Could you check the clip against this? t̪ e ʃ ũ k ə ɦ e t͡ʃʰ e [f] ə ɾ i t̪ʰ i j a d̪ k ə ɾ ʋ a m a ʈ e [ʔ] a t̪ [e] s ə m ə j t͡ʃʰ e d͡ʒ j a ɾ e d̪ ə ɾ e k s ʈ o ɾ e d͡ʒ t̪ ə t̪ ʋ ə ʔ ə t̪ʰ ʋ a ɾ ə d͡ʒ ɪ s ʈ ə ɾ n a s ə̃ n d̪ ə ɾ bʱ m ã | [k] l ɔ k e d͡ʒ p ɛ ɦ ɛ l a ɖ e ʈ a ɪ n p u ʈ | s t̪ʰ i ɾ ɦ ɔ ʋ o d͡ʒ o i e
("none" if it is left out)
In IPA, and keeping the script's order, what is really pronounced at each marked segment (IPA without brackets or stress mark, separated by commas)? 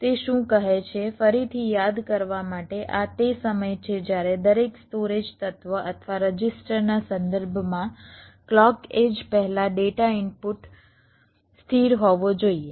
f, ʔ, e, k